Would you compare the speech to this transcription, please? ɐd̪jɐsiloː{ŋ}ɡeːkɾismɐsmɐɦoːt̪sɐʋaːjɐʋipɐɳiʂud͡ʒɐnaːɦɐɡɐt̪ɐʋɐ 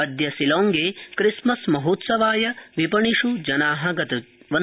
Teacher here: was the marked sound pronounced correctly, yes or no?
yes